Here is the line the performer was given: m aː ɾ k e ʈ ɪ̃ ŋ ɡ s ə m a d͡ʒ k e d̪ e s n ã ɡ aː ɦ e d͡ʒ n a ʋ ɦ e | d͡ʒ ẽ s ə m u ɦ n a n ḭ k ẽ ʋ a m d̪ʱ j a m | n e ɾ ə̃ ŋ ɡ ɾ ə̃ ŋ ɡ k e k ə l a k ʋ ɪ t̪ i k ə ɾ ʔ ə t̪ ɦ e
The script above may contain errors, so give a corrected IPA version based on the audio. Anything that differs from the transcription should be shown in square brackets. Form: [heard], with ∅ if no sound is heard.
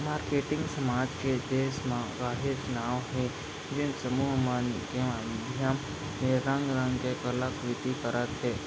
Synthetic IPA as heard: m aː ɾ k e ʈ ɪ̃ ŋ ɡ s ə m a d͡ʒ k e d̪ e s [m] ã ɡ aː ɦ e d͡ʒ n a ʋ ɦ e | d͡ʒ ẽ s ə m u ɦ [m] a n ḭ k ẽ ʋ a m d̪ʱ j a m | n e ɾ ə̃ ŋ ɡ ɾ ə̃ ŋ ɡ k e k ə l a k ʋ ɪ t̪ i k ə ɾ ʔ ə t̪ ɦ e